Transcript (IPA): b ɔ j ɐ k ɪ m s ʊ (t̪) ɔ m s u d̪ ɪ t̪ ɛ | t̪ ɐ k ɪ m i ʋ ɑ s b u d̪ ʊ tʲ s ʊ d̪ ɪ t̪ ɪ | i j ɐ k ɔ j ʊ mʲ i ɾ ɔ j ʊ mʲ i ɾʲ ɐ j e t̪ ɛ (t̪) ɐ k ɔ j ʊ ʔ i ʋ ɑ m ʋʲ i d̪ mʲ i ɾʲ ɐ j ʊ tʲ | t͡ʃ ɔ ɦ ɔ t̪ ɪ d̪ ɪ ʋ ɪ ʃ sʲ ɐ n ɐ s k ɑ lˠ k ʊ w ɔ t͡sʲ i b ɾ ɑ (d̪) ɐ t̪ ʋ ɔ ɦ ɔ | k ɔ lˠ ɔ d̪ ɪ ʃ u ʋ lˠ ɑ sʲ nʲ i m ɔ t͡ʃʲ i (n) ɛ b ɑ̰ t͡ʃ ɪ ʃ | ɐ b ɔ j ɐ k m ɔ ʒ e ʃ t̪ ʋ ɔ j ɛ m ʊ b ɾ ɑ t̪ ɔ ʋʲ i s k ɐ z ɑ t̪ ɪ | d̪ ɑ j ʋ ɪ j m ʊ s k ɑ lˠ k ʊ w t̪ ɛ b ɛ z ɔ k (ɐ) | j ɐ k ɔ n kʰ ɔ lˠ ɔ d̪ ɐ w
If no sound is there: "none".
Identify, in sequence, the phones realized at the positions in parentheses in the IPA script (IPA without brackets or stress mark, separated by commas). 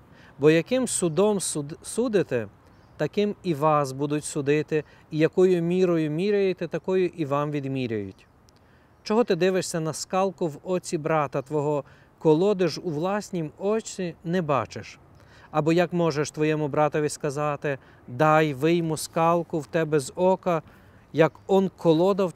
d̪, t̪, t̪, n, ɐ